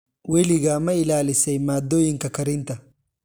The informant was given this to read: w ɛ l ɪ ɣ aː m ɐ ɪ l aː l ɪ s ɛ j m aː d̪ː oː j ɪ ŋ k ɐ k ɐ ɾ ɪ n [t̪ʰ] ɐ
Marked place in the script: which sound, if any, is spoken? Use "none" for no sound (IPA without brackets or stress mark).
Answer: t̪